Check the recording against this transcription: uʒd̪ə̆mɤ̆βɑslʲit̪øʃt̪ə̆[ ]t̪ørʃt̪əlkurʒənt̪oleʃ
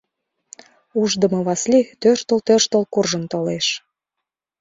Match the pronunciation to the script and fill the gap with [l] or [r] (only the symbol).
l